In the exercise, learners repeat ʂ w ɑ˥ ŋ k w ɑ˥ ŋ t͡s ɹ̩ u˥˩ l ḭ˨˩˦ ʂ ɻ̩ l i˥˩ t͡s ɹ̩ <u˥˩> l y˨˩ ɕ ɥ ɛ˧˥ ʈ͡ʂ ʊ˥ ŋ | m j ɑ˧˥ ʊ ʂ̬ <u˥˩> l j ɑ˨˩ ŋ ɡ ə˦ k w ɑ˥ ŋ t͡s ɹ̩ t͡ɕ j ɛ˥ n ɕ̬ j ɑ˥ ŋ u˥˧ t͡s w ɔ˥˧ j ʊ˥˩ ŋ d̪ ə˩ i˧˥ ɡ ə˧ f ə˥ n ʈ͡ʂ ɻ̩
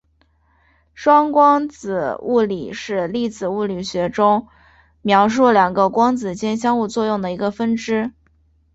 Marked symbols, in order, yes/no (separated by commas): yes, yes